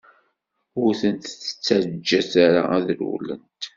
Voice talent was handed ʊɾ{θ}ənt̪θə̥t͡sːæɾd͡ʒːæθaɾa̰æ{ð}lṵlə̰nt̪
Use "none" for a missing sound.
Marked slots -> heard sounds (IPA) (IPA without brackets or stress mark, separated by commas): θ, ð